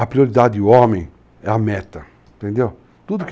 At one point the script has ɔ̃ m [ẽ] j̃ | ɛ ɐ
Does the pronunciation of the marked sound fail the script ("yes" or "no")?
no